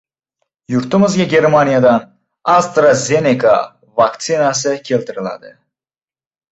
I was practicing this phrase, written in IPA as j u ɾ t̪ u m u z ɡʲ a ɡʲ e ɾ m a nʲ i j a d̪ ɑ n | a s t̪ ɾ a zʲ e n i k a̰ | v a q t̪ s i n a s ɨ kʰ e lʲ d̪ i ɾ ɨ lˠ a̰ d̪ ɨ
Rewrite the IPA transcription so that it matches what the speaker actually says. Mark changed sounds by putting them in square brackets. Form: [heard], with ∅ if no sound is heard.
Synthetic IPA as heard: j u ɾ t̪ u m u z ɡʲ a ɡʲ e ɾ m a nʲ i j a d̪ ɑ n | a s t̪ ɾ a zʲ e n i k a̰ | v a [k] t̪ s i n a s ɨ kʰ e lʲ [t̪] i ɾ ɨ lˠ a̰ d̪ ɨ

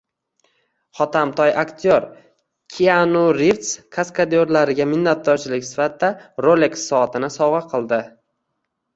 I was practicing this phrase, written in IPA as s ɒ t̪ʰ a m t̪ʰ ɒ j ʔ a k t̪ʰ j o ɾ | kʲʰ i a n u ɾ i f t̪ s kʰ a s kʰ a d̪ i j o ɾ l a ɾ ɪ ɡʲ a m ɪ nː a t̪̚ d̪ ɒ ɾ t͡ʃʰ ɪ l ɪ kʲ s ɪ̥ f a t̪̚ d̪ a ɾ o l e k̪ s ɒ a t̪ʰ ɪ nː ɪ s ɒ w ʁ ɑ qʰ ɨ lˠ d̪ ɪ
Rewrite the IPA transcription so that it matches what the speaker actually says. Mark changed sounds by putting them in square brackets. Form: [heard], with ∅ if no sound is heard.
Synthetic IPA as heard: [χ] ɒ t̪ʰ a m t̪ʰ ɒ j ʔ a k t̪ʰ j o ɾ | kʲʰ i a n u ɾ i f t̪ s kʰ a s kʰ a d̪ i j o ɾ l a ɾ ɪ ɡʲ a m ɪ nː a t̪̚ d̪ ɒ ɾ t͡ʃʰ ɪ l ɪ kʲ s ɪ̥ f a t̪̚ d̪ a ɾ o l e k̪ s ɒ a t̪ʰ ɪ [n] ɪ s ɒ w ʁ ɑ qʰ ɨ lˠ d̪ ɪ

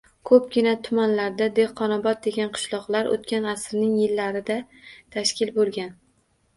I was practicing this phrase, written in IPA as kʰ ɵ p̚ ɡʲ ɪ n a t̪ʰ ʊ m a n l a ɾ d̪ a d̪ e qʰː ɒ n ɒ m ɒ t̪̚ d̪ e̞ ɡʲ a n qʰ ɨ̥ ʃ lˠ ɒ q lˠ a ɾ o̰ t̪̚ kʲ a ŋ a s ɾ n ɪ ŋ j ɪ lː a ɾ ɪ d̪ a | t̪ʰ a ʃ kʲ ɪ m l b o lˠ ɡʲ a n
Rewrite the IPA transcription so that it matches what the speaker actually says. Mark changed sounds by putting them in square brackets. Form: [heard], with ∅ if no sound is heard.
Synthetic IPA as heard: kʰ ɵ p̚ ɡʲ ɪ n a t̪ʰ ʊ m a n l a ɾ d̪ a d̪ e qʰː ɒ n ɒ [b] ɒ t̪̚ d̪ e̞ ɡʲ a n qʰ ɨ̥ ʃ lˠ ɒ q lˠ a ɾ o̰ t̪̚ kʲ a [n] a s ɾ n ɪ ŋ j ɪ lː a ɾ ɪ d̪ a | t̪ʰ a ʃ kʲ ɪ [∅] l b o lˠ ɡʲ a n

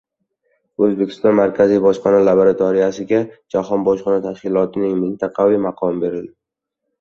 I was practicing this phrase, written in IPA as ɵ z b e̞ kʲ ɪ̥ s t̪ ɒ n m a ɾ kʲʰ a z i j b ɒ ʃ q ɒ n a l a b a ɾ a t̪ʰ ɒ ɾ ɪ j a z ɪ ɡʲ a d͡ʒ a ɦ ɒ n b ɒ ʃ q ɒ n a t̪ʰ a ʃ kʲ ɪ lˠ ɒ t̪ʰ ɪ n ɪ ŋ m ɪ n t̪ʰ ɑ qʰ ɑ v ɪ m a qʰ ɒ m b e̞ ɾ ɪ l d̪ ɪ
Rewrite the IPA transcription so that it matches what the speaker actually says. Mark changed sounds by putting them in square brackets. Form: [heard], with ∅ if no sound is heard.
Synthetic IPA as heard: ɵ z b e̞ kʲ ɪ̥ s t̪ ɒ n m a ɾ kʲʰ a z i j b ɒ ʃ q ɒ n a l a b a ɾ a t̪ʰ ɒ ɾ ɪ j a [s] ɪ ɡʲ a d͡ʒ a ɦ ɒ n b ɒ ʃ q ɒ n a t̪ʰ a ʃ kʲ ɪ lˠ ɒ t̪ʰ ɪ n ɪ ŋ m ɪ n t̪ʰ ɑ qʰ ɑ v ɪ m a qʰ ɒ m b e̞ ɾ ɪ l d̪ ɪ

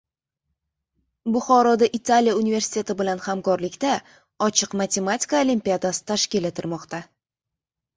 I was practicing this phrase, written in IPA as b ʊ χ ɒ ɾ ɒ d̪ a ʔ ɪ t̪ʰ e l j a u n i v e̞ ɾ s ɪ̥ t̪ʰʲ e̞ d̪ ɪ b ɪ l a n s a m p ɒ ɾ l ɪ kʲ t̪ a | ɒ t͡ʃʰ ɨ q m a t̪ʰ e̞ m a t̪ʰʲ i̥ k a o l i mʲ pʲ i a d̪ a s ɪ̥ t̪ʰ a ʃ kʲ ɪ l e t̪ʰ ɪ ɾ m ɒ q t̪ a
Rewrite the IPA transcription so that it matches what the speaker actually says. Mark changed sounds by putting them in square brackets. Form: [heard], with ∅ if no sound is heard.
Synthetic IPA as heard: b ʊ χ ɒ ɾ ɒ d̪ a ʔ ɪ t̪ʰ [a] l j a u n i v e̞ ɾ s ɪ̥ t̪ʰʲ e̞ [t̪] ɪ b ɪ l a n [h] a m [k] ɒ ɾ l ɪ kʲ t̪ a | ɒ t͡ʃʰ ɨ q m a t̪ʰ e̞ m a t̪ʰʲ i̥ k a o l i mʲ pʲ i a d̪ a s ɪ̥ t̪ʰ a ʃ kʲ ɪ l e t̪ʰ ɪ ɾ m ɒ q t̪ a

